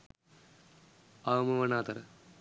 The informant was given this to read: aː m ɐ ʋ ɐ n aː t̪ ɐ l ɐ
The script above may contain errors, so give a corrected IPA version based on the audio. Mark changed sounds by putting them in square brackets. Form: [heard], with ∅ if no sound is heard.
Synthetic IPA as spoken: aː m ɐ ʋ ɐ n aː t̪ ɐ [ɾ] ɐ